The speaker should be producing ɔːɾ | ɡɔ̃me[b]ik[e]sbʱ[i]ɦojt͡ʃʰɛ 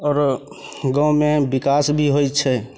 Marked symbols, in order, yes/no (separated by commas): yes, no, yes